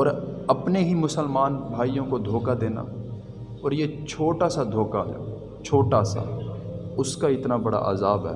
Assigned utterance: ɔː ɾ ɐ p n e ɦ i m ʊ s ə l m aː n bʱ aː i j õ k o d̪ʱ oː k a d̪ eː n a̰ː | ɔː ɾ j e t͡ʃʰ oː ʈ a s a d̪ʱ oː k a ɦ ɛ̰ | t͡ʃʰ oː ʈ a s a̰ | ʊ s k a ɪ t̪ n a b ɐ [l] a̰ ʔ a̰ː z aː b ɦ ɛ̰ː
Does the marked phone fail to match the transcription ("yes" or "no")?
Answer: yes